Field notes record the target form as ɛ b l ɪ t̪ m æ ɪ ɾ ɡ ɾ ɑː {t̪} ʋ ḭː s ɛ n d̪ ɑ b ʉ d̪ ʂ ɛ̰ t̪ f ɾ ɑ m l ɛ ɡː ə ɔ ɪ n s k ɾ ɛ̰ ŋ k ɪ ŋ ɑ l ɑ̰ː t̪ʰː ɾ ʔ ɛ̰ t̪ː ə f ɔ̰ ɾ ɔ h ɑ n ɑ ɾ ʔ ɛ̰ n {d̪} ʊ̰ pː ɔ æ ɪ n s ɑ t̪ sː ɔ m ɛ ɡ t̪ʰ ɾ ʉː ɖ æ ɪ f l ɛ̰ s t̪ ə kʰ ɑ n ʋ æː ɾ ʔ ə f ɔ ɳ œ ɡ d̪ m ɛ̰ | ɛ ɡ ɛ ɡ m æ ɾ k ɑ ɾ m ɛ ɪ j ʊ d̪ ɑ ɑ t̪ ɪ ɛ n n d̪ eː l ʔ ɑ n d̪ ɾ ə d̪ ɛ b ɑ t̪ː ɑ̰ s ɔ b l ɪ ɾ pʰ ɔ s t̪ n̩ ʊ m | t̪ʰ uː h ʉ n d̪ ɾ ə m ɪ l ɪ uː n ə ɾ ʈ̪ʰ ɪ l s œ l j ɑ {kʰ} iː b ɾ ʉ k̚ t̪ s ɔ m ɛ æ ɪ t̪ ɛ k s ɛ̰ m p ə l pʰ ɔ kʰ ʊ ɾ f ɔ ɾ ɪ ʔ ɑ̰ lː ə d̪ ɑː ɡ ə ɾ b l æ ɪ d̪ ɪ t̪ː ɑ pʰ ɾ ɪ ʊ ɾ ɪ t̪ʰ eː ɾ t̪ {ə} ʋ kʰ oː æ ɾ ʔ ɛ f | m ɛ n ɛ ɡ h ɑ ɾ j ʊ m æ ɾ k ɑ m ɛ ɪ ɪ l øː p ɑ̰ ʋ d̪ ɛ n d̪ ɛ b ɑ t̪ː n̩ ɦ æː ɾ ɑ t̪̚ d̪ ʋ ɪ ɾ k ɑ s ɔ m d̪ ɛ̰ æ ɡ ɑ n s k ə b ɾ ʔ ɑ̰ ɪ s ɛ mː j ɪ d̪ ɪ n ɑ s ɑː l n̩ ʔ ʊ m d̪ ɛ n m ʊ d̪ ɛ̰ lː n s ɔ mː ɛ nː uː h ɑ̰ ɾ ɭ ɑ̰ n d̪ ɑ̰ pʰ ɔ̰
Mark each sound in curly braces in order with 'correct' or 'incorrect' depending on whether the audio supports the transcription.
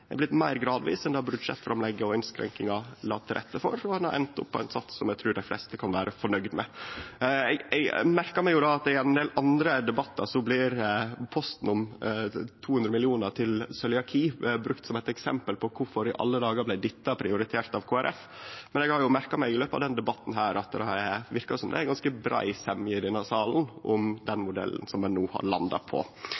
incorrect, incorrect, correct, incorrect

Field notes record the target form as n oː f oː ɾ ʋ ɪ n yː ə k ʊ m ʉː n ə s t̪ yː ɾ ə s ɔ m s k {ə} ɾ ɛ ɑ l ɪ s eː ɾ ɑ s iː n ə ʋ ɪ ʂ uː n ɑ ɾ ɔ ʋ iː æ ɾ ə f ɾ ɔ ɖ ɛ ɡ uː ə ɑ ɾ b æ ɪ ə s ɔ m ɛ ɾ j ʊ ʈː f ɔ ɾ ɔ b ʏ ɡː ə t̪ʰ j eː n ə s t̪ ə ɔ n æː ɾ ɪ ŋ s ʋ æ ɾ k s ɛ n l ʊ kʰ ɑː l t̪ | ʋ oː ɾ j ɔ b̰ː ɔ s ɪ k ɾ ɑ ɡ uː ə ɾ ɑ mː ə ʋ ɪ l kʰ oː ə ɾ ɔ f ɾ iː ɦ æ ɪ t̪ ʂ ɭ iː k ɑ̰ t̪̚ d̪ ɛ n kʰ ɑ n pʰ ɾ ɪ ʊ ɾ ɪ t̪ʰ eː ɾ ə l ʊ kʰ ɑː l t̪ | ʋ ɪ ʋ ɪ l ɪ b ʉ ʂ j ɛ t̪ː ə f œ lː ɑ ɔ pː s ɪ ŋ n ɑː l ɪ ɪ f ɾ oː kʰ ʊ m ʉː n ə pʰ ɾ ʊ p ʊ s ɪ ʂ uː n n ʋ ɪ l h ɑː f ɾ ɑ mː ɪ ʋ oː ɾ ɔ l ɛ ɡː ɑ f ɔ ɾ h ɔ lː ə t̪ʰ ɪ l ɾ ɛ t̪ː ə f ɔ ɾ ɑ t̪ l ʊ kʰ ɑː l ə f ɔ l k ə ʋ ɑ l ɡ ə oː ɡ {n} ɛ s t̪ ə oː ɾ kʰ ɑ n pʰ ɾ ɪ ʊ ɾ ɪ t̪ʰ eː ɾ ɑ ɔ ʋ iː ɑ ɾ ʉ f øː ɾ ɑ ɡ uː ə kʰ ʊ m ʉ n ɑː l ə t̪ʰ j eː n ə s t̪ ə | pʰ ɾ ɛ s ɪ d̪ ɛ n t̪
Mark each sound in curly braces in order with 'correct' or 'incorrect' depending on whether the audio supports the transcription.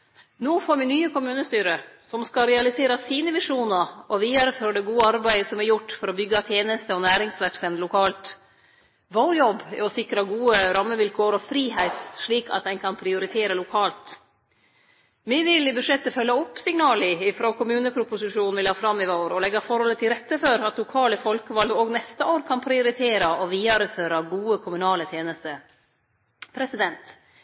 incorrect, correct

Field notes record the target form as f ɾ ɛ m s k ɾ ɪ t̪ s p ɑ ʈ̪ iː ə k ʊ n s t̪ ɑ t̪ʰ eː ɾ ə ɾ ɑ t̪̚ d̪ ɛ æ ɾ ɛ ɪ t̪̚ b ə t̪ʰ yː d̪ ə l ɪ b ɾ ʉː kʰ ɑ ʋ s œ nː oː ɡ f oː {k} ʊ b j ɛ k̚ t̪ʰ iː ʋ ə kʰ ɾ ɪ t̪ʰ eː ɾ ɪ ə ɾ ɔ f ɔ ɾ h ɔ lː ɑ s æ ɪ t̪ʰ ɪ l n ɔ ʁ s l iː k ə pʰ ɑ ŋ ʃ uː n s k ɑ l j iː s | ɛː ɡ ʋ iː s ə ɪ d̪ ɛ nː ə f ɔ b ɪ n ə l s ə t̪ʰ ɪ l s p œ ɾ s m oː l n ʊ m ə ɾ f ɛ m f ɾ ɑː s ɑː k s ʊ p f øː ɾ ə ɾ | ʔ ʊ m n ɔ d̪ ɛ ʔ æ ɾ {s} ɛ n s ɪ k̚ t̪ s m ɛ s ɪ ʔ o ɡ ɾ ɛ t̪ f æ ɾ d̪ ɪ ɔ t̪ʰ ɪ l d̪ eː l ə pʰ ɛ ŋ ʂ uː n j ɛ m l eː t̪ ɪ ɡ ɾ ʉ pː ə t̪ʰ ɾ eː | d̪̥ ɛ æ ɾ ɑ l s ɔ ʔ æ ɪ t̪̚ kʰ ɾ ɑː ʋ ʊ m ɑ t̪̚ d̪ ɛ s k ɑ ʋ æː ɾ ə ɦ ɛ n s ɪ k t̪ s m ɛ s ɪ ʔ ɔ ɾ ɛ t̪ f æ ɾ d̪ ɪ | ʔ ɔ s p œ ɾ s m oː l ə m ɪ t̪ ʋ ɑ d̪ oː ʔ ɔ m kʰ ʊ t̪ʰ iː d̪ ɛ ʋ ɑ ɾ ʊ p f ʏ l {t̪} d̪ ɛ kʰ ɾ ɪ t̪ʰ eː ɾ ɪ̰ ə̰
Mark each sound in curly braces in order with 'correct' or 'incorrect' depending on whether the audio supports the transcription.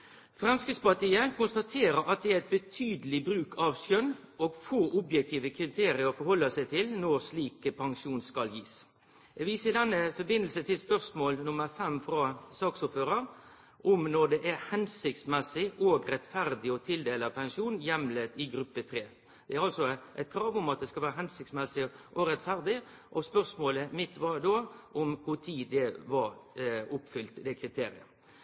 incorrect, incorrect, correct

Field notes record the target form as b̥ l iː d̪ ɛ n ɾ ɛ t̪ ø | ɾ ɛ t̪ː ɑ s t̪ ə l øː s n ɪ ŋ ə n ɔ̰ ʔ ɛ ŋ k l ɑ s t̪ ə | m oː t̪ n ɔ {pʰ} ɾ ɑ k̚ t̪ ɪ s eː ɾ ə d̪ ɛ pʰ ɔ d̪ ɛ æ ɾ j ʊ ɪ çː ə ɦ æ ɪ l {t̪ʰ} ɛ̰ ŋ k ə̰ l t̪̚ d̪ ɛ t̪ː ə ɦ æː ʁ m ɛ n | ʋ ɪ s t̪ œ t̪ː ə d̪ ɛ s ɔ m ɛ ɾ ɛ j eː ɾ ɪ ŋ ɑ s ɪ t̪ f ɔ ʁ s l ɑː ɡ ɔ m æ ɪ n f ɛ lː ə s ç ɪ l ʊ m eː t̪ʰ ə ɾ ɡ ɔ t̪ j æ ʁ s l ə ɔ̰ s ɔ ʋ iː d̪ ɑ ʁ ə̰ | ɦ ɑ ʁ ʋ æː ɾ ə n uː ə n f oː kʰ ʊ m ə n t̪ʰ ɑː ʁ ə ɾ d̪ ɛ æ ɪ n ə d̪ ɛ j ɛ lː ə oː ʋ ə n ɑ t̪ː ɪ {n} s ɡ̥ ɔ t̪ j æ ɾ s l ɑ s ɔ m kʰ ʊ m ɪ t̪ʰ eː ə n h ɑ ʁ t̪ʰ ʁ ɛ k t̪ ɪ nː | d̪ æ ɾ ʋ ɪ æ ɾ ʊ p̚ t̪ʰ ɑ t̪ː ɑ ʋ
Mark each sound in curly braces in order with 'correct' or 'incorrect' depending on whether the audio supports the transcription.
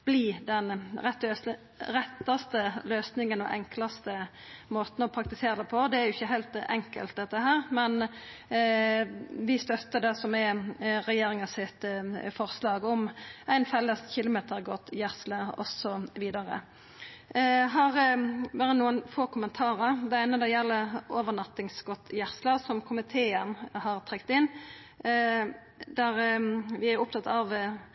correct, incorrect, incorrect

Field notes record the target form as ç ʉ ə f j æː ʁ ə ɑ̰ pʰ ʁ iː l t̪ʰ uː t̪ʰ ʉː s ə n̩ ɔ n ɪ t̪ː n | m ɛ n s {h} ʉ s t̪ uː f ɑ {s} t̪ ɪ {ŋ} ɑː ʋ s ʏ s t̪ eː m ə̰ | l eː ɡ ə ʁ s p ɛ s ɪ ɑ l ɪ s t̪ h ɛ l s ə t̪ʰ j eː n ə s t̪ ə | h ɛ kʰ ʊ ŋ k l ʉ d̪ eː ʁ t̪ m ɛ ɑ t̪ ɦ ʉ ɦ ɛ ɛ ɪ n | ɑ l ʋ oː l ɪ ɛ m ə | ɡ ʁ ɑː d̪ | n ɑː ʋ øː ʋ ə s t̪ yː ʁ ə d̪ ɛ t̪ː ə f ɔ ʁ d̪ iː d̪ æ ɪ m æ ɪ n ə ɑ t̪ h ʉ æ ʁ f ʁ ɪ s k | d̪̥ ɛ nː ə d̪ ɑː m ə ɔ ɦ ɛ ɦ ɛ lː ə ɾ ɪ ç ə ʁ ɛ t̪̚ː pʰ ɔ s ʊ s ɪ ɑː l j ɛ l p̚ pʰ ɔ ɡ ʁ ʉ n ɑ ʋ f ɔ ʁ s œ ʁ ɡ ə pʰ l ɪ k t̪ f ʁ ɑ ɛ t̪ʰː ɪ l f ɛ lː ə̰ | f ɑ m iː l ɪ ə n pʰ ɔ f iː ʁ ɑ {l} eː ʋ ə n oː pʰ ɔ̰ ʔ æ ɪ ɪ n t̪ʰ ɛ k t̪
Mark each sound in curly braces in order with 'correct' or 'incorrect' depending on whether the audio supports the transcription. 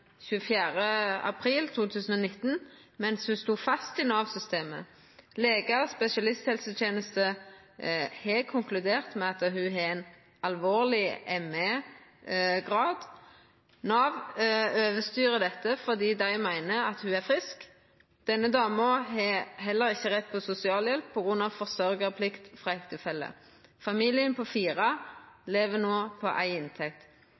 correct, correct, incorrect, correct

